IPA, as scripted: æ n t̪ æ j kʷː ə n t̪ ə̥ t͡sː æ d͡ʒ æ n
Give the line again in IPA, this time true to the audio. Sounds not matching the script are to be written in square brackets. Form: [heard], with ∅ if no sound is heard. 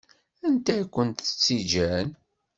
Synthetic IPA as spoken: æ n t̪ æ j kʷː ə n t̪ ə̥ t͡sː [i] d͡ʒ æ n

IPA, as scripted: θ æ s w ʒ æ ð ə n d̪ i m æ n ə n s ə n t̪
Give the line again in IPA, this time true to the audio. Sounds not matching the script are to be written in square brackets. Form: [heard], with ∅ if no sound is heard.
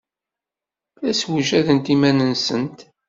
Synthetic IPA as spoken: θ æ s w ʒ æ ð ə n [t̪] i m æ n ə n s ə n t̪

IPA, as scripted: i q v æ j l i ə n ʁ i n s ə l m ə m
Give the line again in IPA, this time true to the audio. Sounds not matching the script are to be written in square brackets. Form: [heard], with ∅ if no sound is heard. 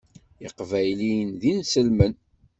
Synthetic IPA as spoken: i q v æ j l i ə n [ð] i n s ə l m ə [n]

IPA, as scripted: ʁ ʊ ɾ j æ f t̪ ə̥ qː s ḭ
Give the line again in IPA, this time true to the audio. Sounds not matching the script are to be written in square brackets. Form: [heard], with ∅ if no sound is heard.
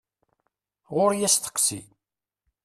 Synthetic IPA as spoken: ʁ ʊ ɾ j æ [s] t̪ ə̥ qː s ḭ

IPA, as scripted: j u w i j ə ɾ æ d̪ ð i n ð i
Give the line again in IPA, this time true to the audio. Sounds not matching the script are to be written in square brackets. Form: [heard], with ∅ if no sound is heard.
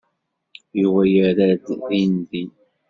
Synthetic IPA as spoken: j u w [æ] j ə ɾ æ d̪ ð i n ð i

